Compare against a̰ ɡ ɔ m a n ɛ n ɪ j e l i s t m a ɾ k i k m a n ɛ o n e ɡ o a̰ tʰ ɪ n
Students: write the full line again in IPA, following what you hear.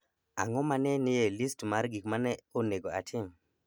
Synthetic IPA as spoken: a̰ ŋ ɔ m a n ɛ n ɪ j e l i s t m a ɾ ɡ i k m a n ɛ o n e ɡ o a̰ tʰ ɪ m